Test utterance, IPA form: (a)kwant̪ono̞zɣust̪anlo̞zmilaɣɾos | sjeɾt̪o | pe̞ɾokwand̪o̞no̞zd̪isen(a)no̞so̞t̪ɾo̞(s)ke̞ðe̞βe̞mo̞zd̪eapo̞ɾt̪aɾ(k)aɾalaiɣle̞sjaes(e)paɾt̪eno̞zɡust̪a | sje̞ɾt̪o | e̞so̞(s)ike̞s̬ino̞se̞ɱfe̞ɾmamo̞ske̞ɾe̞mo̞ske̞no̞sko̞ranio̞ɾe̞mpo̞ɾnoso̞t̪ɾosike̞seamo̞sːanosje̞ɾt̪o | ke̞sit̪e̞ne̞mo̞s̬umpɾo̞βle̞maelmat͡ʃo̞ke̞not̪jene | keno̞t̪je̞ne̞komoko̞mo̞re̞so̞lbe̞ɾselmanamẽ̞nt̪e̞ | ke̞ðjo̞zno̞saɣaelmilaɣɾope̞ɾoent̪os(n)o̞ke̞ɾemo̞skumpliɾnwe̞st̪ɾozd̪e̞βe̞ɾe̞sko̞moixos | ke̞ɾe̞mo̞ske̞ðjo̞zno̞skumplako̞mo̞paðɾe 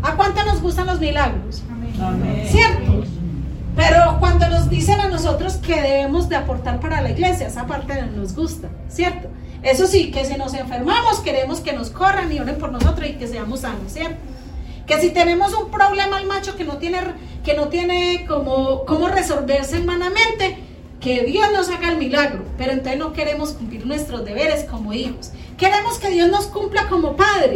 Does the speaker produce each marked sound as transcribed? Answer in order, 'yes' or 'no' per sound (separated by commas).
yes, yes, yes, no, no, yes, yes